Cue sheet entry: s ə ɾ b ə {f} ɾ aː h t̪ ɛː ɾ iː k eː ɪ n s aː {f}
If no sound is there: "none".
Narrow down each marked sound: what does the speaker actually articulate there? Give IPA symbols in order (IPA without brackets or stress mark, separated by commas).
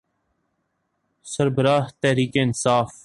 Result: none, f